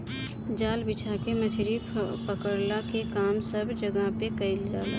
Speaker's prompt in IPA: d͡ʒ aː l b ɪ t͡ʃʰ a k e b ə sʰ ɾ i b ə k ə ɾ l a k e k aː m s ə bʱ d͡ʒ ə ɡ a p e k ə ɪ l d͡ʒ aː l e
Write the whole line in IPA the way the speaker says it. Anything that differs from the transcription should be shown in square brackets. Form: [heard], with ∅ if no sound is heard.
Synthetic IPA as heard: d͡ʒ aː l b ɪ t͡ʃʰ a k e [m] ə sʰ ɾ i [p] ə k ə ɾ l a k e k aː m s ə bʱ d͡ʒ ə ɡ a p e k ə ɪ l d͡ʒ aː l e